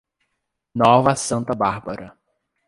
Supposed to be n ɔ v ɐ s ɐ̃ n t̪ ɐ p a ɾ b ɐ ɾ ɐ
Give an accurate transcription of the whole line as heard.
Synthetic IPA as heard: n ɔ v ɐ s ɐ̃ n t̪ ɐ b a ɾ b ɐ ɾ ɐ